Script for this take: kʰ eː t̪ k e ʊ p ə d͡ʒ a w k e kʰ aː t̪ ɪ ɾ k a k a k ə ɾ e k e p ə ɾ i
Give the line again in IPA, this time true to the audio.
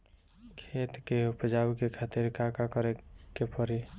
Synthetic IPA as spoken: kʰ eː t̪ k e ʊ p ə d͡ʒ a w k e kʰ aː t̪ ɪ ɾ k a k a k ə ɾ e k e p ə ɾ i